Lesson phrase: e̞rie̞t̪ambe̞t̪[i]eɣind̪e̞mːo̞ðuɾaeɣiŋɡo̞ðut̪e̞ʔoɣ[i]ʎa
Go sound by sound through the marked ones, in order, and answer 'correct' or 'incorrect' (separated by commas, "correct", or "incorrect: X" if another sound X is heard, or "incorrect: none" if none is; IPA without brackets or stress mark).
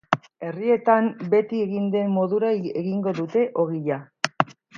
correct, correct